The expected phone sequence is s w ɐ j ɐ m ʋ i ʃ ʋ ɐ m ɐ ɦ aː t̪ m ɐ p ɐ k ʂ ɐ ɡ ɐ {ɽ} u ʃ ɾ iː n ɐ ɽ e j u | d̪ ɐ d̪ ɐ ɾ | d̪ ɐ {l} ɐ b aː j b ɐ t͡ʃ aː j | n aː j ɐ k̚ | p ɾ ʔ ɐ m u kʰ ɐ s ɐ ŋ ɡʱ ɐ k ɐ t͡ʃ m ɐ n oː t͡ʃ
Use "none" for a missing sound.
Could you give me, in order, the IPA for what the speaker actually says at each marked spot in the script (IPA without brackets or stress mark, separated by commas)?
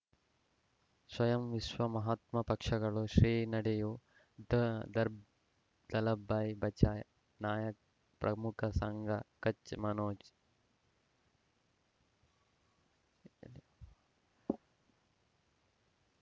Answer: ɭ, l